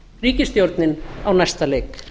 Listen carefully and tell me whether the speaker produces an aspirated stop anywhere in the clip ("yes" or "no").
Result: no